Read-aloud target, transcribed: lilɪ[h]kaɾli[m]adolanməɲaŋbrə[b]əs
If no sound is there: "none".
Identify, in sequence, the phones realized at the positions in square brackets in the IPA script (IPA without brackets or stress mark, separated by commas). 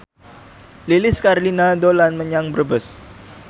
s, n, b